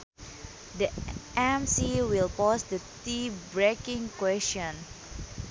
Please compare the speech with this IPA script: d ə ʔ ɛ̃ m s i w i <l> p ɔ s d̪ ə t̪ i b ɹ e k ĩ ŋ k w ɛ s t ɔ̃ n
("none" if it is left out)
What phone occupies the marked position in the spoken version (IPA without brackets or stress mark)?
l